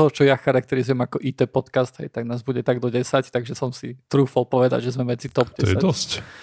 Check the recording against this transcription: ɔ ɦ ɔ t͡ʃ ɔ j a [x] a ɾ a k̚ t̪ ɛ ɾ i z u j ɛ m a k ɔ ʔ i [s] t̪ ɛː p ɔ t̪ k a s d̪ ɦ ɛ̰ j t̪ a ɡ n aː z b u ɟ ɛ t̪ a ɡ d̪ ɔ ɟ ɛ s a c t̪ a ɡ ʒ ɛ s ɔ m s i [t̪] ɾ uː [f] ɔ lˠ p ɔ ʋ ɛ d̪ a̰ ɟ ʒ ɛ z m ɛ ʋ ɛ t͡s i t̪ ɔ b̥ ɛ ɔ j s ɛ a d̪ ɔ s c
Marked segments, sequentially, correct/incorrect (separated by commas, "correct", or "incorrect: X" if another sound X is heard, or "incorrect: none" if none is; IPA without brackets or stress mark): correct, incorrect: none, correct, correct